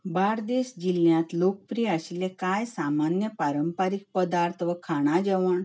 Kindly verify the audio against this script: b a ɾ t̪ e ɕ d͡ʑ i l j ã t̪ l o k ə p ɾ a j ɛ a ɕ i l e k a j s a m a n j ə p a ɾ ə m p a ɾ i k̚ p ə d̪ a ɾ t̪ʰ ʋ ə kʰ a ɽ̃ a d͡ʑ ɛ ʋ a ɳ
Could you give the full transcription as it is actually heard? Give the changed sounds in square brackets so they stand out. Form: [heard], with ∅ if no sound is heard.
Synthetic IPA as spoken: b a ɾ [d̪] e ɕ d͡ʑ i l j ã t̪ l o k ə p ɾ [i] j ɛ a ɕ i l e k a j s a m a n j ə p a ɾ ə m p a ɾ i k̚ p ə d̪ a ɾ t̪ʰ ʋ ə kʰ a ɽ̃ a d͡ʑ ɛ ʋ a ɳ